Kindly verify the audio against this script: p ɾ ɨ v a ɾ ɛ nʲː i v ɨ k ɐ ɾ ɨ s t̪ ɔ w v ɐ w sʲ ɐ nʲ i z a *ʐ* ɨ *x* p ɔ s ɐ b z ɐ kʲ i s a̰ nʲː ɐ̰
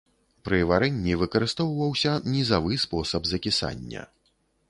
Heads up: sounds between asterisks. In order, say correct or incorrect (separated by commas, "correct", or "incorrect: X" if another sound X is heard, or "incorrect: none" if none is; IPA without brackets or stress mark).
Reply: incorrect: v, incorrect: s